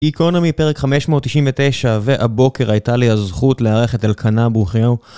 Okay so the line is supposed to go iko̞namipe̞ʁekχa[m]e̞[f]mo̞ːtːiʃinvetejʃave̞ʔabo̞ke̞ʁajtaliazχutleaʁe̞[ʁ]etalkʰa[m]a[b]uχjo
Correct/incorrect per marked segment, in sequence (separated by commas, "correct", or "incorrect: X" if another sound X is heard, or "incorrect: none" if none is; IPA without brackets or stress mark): correct, incorrect: ʃ, incorrect: χ, incorrect: n, correct